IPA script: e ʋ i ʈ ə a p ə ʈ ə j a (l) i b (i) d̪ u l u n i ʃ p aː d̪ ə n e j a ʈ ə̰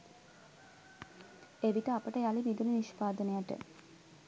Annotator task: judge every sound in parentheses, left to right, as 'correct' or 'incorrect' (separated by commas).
correct, correct